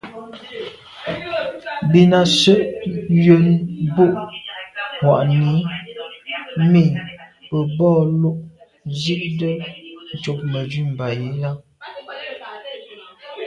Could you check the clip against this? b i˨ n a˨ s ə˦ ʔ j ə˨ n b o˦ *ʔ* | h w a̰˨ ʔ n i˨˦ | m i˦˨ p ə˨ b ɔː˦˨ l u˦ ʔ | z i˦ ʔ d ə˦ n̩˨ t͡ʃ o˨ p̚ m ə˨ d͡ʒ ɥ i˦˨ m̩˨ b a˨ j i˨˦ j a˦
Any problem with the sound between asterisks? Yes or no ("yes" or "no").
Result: no